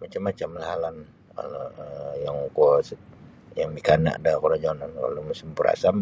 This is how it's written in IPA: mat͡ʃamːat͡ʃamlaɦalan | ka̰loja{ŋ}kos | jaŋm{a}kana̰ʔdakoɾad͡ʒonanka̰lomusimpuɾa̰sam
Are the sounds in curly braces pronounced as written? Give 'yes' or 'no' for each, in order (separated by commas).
yes, no